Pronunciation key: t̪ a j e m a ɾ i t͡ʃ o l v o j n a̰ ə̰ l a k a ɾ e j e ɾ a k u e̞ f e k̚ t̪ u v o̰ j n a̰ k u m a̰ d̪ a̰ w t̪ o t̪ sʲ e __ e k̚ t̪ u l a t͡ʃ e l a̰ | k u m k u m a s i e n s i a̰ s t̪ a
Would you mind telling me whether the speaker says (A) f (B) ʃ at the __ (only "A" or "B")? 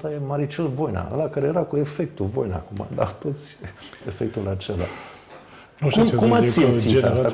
A